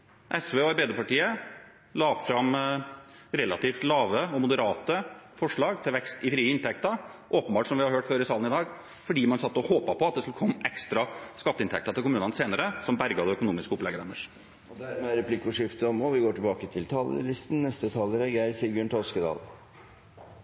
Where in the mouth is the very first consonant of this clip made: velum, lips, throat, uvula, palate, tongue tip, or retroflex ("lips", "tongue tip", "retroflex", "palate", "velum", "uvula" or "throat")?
throat